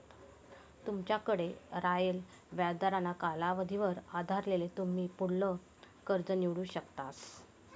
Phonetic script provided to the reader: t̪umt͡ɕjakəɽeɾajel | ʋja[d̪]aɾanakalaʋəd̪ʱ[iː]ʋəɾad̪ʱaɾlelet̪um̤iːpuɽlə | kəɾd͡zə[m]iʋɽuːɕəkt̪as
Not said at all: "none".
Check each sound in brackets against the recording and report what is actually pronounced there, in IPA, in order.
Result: d̪, i, n

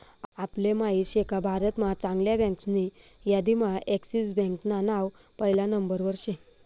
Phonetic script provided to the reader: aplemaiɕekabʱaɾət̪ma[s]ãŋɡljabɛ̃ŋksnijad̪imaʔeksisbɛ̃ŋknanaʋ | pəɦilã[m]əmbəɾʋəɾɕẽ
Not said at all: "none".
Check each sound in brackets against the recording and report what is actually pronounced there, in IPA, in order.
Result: t͡s, n

